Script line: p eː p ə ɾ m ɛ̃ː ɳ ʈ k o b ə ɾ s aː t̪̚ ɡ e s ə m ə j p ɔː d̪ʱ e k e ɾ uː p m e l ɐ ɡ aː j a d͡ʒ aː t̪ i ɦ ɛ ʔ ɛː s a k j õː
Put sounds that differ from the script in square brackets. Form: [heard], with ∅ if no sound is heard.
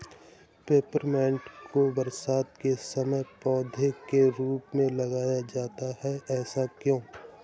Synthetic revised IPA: p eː p ə ɾ m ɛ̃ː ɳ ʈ k o b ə ɾ s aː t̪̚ [k] e s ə m ə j p ɔː d̪ʱ e k e ɾ uː p m [ẽ] l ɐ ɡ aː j a d͡ʒ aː t̪ [a] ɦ ɛ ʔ ɛː s a k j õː